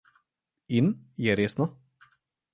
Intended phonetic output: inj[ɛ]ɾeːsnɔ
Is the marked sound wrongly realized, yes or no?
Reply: no